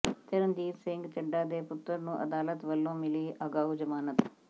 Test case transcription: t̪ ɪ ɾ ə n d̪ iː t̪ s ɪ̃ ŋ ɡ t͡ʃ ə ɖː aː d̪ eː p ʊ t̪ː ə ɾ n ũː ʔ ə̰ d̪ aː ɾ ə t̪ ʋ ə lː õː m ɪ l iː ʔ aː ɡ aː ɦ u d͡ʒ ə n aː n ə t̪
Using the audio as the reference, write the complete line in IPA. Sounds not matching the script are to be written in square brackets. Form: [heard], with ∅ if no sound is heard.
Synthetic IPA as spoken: t̪ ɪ ɾ ə n d̪ iː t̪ s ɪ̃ ŋ ɡ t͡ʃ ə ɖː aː d̪ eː p ʊ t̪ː ə ɾ n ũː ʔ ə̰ d̪ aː [l] ə t̪ ʋ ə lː õː m ɪ l iː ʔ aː ɡ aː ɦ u d͡ʒ ə [m] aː n ə t̪